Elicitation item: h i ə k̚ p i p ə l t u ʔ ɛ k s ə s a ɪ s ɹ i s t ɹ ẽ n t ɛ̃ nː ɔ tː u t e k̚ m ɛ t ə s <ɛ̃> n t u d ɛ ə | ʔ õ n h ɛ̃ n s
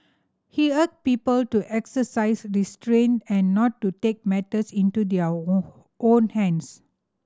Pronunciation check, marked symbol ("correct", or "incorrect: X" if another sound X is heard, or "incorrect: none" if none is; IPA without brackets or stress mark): incorrect: ĩ